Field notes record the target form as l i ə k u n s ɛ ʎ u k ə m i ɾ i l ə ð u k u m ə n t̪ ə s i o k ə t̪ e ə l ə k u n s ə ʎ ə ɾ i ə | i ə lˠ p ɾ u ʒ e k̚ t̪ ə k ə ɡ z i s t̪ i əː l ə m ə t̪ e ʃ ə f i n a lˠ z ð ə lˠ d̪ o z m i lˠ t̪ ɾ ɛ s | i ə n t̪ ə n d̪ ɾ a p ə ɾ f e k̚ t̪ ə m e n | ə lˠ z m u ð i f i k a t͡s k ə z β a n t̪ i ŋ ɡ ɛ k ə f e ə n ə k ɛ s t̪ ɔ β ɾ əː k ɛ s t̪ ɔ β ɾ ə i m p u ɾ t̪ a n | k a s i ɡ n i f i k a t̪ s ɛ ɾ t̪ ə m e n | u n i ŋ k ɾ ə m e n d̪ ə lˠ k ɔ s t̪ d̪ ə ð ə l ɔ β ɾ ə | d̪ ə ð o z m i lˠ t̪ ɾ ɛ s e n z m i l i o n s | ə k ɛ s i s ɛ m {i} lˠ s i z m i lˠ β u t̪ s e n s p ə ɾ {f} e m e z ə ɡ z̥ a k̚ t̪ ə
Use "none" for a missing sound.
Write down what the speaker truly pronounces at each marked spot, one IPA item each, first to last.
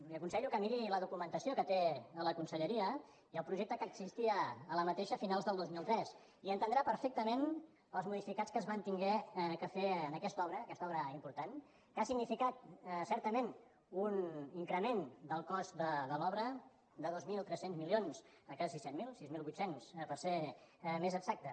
i, s

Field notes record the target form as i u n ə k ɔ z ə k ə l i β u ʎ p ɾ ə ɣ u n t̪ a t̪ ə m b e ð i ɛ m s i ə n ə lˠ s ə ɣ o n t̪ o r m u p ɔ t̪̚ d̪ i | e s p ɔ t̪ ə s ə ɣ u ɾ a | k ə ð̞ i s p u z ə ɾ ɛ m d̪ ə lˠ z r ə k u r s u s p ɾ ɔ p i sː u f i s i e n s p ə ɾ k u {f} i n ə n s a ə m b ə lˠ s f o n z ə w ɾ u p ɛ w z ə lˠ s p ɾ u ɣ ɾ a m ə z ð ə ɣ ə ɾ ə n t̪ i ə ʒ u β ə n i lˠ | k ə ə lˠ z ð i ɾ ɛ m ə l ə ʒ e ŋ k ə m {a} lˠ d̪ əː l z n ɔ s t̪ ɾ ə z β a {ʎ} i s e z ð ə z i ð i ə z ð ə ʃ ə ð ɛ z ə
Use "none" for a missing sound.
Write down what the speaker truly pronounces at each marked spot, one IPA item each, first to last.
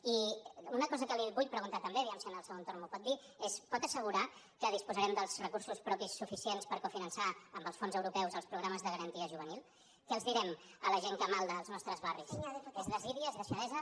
f, a, r

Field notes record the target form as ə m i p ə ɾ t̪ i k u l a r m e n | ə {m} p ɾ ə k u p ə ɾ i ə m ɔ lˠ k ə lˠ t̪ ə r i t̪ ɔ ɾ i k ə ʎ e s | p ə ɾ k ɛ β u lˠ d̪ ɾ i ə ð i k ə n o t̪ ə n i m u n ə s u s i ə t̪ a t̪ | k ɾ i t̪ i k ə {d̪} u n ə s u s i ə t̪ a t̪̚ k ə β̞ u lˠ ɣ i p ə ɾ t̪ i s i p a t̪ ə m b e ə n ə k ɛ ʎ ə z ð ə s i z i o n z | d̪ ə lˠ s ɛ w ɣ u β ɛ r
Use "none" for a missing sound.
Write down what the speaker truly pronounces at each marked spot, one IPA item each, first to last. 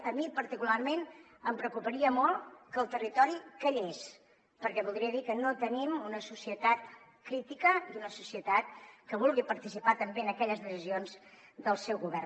m, d̪

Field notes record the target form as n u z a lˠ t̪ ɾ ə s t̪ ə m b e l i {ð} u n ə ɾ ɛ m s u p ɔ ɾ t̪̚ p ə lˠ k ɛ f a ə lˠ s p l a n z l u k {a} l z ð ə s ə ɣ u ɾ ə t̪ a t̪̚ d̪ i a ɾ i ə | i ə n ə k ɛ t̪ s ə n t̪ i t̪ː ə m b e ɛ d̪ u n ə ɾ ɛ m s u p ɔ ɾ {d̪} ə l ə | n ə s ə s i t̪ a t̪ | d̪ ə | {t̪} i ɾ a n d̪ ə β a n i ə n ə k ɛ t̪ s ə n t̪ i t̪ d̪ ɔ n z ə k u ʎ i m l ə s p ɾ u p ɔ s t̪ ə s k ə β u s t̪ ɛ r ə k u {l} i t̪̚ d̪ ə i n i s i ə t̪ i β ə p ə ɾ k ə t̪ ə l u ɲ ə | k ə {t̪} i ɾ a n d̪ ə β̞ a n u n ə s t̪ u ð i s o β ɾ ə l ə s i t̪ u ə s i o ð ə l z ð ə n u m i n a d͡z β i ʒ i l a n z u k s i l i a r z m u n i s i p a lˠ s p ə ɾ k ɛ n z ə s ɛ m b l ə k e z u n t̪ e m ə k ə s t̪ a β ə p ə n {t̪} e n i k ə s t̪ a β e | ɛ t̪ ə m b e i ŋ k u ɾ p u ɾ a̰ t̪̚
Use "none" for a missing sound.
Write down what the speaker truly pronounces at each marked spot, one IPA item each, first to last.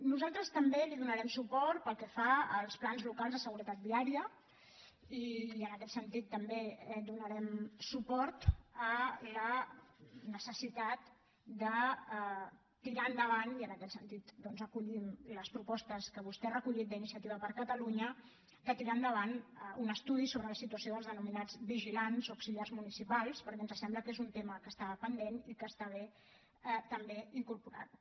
ð, a, t̪, t̪, ʎ, t̪, d̪

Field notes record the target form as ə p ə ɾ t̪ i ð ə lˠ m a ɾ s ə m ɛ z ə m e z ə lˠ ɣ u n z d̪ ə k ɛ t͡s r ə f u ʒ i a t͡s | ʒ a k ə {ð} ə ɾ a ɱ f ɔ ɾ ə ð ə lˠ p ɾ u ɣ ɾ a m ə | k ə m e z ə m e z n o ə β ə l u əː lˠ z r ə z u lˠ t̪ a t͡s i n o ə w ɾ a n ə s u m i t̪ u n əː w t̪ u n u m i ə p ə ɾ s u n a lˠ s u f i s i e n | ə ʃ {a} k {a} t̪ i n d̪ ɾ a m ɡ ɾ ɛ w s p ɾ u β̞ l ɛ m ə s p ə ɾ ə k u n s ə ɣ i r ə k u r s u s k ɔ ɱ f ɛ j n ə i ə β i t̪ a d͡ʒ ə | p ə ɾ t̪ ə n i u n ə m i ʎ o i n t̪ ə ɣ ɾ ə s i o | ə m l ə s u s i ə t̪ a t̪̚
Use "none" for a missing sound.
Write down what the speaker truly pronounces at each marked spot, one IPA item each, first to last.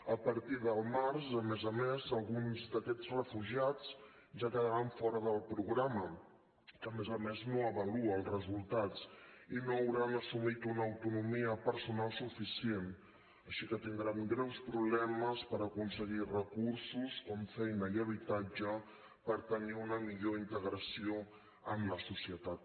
ð, i, ə

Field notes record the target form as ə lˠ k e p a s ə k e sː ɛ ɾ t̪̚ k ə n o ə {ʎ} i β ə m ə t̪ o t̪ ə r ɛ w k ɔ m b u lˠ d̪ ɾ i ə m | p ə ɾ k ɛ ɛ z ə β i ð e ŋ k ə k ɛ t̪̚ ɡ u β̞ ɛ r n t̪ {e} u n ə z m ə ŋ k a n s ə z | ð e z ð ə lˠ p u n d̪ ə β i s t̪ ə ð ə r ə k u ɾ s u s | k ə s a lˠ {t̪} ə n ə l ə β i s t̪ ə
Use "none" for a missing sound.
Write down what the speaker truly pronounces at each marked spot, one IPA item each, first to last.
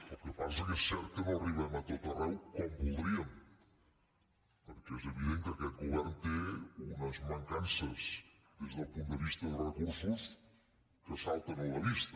r, e, t̪

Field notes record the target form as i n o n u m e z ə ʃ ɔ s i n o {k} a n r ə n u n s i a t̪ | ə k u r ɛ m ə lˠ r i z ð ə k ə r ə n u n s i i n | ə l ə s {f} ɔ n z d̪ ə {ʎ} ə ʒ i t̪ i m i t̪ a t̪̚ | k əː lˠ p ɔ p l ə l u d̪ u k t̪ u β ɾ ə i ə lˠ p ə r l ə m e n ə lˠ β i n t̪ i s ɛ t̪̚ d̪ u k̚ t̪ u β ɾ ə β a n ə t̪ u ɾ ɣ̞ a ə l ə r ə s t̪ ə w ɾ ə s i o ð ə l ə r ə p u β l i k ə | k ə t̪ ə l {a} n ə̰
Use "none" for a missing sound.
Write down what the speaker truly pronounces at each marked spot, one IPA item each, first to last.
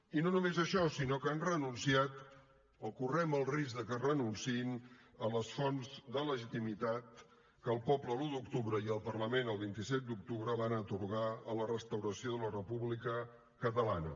k, f, l, a

